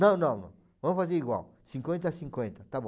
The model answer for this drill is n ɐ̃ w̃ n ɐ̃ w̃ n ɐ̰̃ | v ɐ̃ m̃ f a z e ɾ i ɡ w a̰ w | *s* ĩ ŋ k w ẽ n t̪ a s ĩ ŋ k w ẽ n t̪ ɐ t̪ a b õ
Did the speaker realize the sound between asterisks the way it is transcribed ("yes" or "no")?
yes